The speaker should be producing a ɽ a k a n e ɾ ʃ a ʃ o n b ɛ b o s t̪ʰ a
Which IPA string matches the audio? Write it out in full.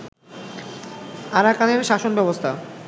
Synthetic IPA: a ɾ a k a n e ɾ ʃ a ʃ o n b ɛ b o s t̪ʰ a